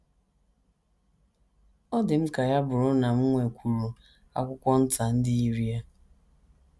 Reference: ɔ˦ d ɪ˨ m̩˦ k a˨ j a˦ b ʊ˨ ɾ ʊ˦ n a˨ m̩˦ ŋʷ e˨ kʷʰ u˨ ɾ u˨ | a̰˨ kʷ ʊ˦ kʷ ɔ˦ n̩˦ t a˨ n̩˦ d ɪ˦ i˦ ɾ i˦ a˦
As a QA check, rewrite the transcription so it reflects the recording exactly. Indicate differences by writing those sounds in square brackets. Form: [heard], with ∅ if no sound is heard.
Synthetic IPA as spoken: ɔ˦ d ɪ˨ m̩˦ k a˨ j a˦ b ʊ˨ ɾ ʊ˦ n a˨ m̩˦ ŋʷ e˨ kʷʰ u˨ ɾ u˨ | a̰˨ kʷ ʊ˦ kʷ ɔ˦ n̩˦ t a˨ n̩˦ d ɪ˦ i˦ ɾ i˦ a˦